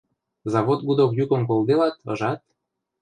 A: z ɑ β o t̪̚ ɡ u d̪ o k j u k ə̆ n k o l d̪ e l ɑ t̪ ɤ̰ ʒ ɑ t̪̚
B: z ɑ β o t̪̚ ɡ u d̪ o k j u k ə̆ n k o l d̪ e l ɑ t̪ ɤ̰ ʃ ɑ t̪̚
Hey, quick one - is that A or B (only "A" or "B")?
A